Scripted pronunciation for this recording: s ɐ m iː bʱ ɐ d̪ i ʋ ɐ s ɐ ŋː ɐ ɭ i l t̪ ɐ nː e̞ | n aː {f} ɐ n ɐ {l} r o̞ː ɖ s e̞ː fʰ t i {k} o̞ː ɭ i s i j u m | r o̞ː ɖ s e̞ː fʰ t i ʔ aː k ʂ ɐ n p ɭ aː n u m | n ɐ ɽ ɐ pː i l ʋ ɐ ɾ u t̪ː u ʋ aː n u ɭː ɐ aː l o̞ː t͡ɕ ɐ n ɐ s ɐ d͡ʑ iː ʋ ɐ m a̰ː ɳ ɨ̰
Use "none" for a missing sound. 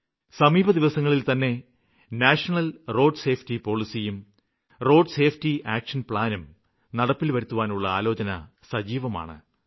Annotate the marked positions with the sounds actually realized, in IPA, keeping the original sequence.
ʂ, l, p

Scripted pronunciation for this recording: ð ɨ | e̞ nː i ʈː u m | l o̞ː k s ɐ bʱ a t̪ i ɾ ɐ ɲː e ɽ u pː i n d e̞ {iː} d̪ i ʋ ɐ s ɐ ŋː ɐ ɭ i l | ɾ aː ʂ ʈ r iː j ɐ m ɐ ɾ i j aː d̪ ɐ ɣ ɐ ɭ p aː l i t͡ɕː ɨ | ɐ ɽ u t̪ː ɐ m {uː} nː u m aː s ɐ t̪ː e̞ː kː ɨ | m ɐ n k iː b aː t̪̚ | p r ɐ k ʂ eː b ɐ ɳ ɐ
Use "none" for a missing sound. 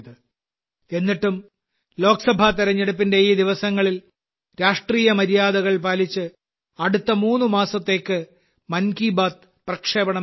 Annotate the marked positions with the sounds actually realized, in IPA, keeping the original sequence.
iː, uː

